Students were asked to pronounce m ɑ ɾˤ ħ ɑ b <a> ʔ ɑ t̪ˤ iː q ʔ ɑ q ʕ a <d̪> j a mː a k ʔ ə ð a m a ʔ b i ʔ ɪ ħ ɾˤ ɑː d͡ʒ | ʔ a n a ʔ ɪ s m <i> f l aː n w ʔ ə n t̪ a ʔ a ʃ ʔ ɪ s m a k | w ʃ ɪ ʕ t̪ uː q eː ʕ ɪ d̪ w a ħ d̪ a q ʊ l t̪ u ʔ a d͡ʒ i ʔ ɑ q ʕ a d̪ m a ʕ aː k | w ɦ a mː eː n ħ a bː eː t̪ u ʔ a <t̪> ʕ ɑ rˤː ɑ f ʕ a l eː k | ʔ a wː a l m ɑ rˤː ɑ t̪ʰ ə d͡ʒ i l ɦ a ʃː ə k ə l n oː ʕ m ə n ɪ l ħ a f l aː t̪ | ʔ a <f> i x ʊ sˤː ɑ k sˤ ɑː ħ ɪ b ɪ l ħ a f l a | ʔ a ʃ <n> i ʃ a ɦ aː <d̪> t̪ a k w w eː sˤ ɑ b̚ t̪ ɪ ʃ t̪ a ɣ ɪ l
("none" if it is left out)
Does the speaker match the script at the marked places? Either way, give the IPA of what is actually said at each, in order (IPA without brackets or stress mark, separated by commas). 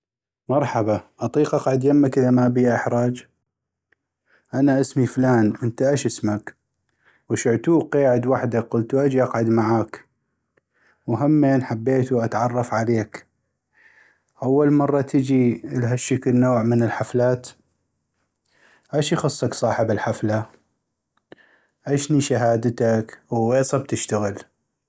a, d̪, i, t̪, ʃ, n, d̪